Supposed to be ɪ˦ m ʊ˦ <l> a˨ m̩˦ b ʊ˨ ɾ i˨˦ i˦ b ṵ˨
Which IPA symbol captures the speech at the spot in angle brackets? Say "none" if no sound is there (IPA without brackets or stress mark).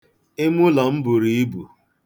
l